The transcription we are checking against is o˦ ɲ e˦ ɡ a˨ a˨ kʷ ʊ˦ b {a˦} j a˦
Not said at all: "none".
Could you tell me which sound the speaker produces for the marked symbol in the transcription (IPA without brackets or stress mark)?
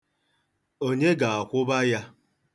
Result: a˦